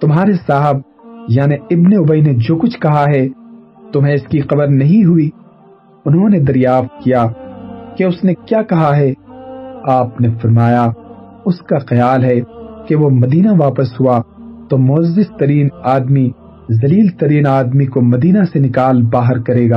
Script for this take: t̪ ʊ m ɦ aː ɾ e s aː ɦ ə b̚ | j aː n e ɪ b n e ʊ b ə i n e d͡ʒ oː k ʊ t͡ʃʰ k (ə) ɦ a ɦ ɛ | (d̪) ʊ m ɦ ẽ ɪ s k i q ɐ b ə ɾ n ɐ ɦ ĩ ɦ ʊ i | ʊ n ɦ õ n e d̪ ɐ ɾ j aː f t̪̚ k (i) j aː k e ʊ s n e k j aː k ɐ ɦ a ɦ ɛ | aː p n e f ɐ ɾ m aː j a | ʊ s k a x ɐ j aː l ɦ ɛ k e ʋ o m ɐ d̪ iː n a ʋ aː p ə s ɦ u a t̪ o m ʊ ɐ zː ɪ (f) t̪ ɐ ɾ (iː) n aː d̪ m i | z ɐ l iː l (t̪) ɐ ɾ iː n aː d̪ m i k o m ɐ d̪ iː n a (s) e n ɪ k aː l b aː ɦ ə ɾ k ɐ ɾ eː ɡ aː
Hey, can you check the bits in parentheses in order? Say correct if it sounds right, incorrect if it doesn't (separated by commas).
incorrect, incorrect, correct, incorrect, correct, correct, correct